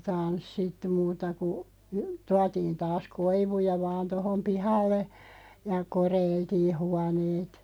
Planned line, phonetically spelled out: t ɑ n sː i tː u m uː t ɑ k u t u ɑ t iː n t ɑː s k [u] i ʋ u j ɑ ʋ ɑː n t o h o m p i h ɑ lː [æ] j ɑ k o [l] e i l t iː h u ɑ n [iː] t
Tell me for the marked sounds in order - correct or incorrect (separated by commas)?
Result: incorrect, incorrect, incorrect, incorrect